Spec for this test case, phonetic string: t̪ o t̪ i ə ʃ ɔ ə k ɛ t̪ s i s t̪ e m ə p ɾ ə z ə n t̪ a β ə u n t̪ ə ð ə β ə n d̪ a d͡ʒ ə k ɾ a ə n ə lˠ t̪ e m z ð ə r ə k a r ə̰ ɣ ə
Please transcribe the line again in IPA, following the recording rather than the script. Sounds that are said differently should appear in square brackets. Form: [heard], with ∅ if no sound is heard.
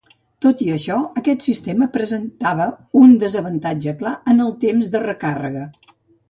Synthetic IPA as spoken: t̪ o t̪ i ə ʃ ɔ ə k ɛ t̪ s i s t̪ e m ə p ɾ ə z ə n t̪ a β ə u n [d̪] ə [z] ə β ə n [t̪] a d͡ʒ ə k [l] a ə n ə lˠ t̪ e m z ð ə r ə k a r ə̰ ɣ ə